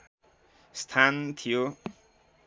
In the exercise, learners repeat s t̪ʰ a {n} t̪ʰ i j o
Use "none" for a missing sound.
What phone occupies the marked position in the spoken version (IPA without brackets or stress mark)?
n